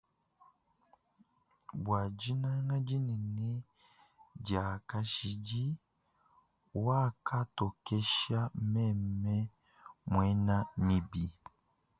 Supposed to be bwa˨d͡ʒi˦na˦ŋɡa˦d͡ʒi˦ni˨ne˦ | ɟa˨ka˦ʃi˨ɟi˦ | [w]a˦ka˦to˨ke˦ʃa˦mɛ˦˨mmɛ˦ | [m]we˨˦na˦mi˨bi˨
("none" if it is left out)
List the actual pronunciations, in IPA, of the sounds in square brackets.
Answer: w, m

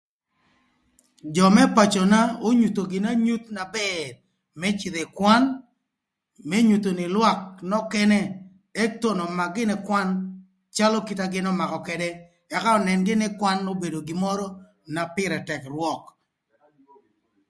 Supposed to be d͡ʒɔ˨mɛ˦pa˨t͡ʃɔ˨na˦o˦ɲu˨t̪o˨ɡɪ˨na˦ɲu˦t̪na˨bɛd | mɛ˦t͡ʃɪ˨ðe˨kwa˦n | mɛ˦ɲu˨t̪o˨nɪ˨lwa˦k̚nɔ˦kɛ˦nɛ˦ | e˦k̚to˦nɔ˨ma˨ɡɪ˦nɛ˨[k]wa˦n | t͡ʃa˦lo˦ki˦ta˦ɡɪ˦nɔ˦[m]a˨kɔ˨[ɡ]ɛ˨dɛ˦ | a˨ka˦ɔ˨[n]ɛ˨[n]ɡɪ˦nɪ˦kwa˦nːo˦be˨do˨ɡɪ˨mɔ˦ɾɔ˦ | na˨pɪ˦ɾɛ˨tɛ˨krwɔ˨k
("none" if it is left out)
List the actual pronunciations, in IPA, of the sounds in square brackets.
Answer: k, m, k, n, n

